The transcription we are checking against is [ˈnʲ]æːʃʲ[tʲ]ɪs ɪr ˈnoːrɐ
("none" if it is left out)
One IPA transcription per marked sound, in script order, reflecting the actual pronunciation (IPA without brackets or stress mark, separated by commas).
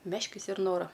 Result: mʲ, kʲ